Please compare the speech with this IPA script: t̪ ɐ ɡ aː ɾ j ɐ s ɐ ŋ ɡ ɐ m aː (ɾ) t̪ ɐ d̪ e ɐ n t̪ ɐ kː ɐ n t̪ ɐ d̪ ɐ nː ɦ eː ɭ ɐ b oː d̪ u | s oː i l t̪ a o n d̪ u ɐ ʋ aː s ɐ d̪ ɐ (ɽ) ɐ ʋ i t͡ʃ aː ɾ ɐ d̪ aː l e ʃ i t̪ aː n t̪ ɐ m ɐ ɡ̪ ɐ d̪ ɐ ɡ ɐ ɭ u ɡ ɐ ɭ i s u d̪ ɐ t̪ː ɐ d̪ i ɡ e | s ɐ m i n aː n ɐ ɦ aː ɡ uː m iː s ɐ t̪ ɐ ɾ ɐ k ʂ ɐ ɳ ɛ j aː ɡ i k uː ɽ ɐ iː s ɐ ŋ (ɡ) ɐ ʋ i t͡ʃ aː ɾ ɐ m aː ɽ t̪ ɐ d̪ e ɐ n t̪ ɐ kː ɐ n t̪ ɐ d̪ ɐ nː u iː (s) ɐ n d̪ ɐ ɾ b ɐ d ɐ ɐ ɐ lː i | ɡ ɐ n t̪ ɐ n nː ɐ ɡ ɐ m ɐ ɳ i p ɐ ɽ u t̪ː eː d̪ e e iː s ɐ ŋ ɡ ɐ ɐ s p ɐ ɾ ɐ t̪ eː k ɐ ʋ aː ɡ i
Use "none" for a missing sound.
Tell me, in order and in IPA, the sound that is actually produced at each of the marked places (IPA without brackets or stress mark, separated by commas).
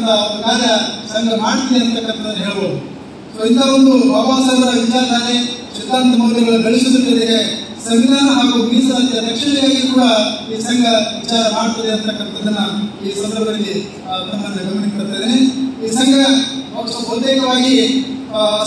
ɽ, ɾ, ɡ, s